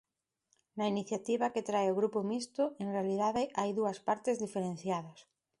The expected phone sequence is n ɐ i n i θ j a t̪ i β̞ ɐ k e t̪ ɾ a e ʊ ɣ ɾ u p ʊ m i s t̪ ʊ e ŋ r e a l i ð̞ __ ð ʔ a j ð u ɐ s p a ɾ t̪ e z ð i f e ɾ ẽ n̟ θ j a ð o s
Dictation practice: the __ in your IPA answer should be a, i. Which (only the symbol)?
a